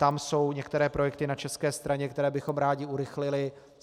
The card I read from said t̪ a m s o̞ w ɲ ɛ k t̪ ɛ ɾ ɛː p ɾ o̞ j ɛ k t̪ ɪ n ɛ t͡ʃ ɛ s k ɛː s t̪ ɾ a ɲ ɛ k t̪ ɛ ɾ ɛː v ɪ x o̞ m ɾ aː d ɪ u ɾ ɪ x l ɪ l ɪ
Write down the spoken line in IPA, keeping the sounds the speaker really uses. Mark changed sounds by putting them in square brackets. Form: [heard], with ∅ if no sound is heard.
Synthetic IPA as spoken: t̪ a m s o̞ w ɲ ɛ k t̪ ɛ ɾ ɛː p ɾ o̞ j ɛ k t̪ ɪ n [a] t͡ʃ ɛ s k ɛː s t̪ ɾ a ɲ ɛ k t̪ ɛ ɾ ɛː [b] ɪ x o̞ m ɾ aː [ɟ] ɪ u ɾ ɪ x l ɪ l ɪ